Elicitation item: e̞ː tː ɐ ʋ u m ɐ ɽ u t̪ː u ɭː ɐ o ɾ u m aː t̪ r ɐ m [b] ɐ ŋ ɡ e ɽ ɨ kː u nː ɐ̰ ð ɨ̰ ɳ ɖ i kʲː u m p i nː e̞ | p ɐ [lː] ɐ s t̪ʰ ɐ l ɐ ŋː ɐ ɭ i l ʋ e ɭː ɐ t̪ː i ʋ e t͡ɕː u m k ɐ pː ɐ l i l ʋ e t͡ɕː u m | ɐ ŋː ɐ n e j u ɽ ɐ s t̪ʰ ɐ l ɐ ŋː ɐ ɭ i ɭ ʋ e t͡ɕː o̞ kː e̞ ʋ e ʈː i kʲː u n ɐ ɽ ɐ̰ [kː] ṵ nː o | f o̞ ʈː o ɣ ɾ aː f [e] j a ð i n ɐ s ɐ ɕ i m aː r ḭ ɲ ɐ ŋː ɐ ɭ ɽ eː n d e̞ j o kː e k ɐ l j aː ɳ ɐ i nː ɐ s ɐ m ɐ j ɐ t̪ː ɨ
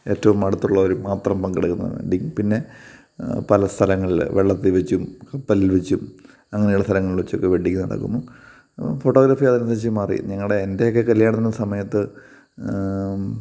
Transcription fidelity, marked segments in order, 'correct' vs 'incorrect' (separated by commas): incorrect, incorrect, correct, incorrect